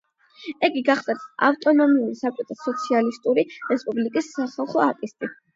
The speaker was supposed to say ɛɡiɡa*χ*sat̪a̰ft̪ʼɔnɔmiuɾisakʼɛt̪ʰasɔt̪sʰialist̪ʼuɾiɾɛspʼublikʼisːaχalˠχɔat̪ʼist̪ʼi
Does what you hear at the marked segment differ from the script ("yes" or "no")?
no